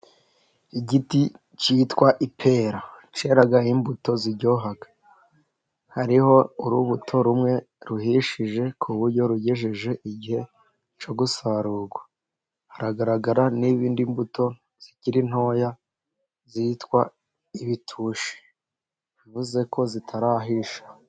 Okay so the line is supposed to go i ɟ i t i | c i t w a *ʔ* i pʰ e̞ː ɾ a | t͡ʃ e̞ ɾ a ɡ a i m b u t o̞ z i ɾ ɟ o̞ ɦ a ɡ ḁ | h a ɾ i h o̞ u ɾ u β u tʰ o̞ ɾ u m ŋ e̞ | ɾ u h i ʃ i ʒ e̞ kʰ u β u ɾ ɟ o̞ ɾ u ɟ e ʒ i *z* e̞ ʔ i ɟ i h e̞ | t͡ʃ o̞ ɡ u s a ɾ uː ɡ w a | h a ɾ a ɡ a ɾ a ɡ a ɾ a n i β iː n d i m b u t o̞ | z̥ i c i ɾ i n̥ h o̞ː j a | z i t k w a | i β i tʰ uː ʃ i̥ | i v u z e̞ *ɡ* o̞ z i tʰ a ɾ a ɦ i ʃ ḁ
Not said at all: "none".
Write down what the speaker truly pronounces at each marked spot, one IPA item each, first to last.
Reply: ʔ, ʒ, k

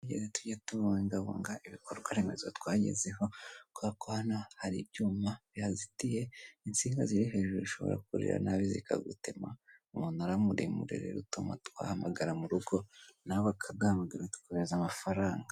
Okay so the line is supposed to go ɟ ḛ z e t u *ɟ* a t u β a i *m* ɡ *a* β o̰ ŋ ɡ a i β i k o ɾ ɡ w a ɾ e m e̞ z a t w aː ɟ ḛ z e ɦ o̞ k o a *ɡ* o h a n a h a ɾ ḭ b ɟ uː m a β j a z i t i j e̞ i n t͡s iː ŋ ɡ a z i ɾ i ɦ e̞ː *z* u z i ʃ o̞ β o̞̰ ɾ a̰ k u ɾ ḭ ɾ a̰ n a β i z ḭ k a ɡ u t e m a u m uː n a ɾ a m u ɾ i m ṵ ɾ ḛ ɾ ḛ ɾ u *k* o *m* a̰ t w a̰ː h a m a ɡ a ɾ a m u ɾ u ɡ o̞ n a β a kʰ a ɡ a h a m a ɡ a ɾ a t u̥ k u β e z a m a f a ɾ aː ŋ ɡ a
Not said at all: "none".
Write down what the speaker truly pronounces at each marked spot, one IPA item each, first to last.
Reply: ɟ, ŋ, a, k, ʒ, t, m

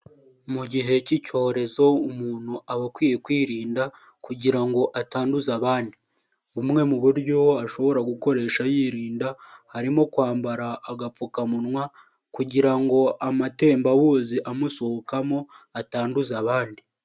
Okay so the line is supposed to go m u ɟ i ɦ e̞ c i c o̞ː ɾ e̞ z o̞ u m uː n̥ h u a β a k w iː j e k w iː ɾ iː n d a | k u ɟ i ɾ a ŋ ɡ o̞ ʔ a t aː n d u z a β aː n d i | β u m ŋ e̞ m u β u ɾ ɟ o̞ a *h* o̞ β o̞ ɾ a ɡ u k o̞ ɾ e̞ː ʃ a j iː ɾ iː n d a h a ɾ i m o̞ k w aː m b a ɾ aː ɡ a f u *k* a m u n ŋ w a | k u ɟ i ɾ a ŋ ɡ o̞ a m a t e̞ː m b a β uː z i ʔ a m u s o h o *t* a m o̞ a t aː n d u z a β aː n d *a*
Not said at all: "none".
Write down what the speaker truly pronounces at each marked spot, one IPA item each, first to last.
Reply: ʃ, k, k, i

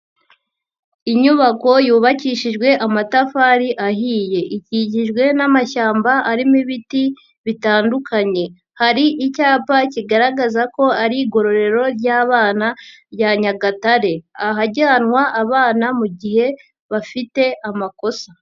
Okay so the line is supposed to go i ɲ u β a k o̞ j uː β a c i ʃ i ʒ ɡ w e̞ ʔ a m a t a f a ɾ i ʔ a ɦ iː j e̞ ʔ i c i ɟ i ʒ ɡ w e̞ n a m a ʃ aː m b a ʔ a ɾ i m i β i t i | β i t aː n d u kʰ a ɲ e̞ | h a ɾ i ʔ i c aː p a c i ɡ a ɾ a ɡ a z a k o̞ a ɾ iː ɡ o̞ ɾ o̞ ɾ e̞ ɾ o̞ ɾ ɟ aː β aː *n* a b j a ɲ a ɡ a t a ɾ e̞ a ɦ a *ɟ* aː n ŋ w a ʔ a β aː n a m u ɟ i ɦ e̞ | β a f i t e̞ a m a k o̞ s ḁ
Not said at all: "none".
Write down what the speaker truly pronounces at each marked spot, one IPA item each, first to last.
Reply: n, ɟ

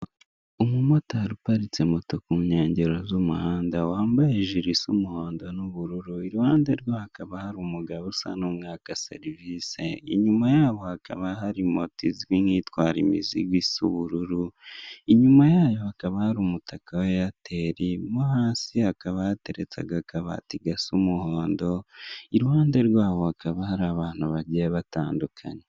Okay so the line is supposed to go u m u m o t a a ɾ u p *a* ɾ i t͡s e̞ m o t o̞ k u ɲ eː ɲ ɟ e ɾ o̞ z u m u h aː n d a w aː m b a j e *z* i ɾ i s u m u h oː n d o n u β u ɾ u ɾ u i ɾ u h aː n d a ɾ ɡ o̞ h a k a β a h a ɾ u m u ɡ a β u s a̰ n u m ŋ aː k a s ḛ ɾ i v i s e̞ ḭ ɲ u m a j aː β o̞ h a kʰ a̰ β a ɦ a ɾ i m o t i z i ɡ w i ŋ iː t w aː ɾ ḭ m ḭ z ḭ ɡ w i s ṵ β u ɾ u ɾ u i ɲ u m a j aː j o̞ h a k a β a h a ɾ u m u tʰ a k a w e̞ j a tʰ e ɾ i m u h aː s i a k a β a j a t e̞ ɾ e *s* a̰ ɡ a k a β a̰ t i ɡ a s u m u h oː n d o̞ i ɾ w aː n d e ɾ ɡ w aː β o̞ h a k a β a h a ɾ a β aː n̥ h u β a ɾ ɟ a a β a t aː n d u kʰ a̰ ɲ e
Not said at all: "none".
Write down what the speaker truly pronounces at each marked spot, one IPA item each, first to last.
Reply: a, ʒ, t͡s

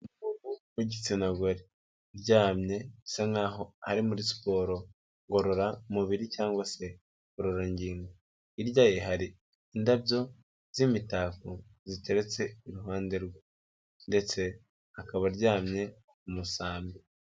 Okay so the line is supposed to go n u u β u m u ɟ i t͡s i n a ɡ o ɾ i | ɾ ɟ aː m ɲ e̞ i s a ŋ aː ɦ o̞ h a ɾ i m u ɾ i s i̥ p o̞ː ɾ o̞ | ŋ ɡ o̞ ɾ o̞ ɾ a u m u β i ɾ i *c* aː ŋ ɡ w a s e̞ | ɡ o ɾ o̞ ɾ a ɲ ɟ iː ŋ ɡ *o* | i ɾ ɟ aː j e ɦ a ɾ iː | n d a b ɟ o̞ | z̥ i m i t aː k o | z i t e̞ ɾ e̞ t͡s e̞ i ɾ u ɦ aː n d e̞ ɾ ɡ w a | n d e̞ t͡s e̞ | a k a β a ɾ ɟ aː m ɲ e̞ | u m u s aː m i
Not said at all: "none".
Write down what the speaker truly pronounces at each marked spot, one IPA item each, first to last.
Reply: c, o

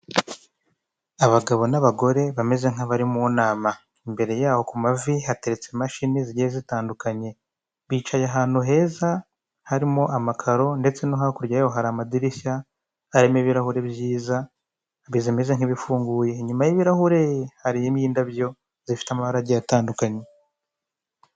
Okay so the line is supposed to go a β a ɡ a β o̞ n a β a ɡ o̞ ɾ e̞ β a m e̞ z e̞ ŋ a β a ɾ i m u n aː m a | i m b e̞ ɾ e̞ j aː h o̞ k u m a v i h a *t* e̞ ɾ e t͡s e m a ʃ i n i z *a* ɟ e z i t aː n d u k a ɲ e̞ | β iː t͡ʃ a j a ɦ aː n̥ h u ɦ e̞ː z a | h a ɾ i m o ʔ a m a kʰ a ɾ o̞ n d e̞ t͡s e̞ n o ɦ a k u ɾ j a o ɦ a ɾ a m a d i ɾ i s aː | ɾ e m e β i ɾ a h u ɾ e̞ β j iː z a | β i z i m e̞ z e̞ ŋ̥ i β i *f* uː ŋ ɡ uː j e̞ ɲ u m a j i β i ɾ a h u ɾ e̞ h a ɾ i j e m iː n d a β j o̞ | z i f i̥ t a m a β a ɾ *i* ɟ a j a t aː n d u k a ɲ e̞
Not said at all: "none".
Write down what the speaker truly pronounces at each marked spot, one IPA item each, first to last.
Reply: t, i, f, a

